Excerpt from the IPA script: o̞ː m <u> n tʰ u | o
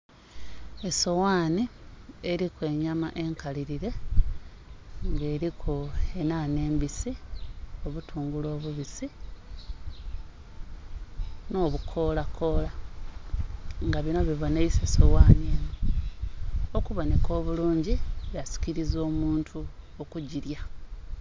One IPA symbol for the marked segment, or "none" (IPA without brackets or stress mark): uː